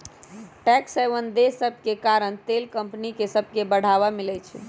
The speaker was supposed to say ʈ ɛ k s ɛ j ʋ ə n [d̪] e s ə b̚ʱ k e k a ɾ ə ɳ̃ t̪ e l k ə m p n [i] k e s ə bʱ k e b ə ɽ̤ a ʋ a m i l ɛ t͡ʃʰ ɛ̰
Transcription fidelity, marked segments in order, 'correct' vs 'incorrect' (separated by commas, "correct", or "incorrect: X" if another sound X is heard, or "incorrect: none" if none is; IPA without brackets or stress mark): correct, correct